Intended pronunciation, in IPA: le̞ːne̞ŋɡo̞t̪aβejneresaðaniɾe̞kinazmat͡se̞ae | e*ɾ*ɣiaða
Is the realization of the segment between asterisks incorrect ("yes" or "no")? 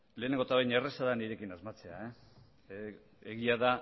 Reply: yes